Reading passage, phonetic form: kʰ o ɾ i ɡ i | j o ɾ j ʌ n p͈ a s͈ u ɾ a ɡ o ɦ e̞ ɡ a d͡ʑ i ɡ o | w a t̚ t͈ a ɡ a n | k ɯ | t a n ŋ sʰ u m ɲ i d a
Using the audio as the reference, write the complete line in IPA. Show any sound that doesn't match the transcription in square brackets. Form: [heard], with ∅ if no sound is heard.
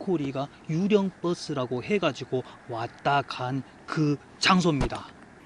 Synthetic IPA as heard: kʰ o ɾ i ɡ [a] | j [u] ɾ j ʌ [ŋ] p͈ [ʌ] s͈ [ɯ] ɾ a ɡ o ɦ e̞ ɡ a d͡ʑ i ɡ o | w a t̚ t͈ a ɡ a n | k ɯ | [t͡ɕ] a [∅] ŋ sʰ [o] m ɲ i d a